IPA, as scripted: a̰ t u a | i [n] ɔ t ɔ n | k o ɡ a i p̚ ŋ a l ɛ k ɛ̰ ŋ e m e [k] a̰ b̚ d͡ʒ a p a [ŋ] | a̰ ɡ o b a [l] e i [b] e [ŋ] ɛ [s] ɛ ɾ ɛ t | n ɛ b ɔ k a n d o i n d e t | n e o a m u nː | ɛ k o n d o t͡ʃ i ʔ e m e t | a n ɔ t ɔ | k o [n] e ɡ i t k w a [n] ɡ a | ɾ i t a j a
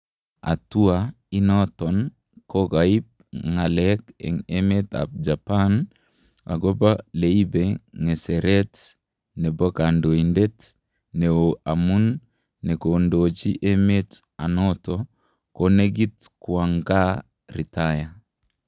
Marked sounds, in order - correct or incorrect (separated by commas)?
correct, incorrect, incorrect, correct, correct, correct, correct, correct, incorrect